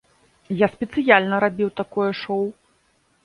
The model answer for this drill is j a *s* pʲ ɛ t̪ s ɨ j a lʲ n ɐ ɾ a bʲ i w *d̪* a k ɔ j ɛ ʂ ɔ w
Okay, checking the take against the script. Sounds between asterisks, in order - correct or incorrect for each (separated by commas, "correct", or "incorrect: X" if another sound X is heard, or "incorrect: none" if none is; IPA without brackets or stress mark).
correct, incorrect: t̪